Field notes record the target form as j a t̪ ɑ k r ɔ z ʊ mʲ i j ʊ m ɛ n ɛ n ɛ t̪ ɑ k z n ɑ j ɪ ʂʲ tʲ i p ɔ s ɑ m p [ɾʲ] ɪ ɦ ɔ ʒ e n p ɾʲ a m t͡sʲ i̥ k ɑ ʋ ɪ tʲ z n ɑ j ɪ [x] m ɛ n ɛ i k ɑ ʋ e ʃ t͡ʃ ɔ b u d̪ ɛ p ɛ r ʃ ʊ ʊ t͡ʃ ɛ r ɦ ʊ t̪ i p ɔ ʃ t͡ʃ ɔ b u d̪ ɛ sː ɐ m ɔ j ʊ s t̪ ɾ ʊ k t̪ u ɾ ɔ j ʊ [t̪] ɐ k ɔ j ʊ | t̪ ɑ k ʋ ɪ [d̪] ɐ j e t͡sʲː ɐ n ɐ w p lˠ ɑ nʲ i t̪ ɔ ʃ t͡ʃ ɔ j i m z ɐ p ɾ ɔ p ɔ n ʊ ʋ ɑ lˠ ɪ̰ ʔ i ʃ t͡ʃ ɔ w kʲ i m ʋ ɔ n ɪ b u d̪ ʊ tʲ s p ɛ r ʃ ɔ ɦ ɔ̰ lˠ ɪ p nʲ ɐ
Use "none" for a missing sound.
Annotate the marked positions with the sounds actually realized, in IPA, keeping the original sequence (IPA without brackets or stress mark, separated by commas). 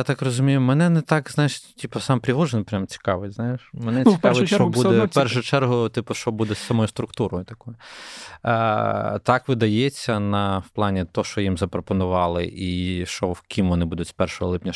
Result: ɾʲ, ʃ, t̪, d̪